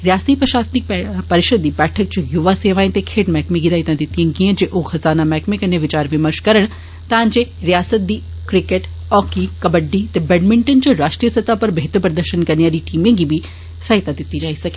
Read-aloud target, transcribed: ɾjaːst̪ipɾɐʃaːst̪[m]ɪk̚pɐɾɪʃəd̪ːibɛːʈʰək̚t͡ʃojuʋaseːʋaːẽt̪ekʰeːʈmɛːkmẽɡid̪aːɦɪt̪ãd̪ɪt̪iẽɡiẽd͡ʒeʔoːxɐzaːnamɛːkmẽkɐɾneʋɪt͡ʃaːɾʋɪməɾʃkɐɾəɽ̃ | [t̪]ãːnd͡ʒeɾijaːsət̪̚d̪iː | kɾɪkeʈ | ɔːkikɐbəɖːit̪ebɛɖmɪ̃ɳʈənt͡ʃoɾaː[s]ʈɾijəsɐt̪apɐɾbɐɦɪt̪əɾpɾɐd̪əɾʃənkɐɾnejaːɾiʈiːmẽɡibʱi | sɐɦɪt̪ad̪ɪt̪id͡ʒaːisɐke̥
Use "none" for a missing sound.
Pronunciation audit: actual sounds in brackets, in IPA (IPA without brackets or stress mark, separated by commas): n, t̪, ʃ